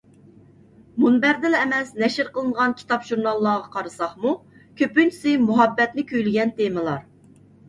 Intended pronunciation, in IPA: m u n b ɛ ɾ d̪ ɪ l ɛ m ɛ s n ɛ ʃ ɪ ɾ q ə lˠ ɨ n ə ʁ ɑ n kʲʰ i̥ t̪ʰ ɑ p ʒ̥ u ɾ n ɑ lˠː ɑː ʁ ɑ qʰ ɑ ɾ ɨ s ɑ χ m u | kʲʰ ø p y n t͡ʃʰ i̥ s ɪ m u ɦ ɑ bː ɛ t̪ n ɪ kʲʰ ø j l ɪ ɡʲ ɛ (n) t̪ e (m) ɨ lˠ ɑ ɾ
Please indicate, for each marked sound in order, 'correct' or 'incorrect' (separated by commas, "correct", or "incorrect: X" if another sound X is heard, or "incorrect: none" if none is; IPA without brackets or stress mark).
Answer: correct, correct